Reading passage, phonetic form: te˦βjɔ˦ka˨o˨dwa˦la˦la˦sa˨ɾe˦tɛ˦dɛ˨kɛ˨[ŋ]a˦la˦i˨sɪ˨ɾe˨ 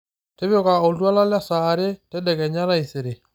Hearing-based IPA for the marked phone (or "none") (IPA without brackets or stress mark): ɲ